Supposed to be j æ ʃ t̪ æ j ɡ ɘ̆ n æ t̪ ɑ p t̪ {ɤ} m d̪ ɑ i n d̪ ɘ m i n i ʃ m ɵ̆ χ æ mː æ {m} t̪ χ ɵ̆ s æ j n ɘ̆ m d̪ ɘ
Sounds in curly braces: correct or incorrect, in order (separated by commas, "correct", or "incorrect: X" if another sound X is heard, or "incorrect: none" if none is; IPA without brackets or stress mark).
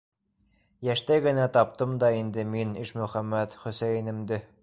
correct, incorrect: none